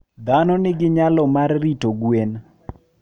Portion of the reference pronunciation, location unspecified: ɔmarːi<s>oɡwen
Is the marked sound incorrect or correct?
incorrect: t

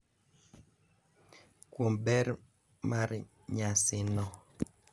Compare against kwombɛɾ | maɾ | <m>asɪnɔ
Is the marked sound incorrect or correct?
incorrect: ɲ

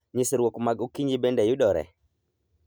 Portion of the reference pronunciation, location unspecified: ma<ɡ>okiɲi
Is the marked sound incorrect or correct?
correct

